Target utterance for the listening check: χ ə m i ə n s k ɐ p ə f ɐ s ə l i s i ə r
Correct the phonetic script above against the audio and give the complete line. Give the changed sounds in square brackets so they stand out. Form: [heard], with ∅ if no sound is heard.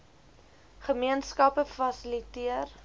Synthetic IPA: χ ə m i ə n s k ɐ p ə f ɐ s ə l i [t] i ə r